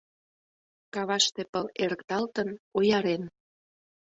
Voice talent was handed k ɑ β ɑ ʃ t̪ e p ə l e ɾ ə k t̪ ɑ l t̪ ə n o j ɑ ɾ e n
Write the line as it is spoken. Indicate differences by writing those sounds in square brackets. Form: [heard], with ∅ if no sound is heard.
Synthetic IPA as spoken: k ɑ β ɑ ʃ t̪ e p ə l e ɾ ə k t̪ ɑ l t̪ ə n o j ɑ ɾ e n